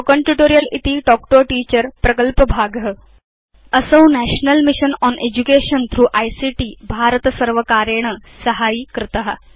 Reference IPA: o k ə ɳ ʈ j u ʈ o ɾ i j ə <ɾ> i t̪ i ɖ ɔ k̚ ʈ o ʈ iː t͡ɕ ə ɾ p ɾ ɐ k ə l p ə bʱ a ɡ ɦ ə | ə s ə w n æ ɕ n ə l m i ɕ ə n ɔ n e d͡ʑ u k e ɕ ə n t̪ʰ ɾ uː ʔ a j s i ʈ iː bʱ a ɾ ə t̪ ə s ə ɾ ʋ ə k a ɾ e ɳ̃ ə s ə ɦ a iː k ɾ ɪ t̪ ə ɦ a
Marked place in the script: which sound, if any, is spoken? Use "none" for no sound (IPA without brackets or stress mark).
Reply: l